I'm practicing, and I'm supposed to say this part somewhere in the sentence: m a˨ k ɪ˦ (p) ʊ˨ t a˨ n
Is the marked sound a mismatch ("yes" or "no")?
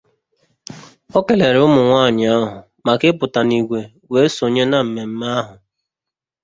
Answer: no